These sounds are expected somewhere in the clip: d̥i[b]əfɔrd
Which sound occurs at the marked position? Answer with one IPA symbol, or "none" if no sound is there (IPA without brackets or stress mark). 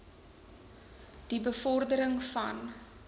b